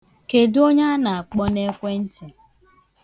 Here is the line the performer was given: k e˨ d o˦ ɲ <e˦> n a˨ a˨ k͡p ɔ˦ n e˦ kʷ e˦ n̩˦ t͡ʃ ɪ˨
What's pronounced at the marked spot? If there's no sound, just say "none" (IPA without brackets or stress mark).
a˦